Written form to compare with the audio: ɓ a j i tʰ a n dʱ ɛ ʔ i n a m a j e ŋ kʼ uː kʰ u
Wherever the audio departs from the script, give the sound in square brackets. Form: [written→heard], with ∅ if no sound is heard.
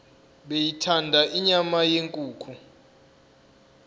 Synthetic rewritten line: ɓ [a→e] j i tʰ a n dʱ [ɛ→a] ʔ i [n→ɲ] a m a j e ŋ kʼ uː kʰ u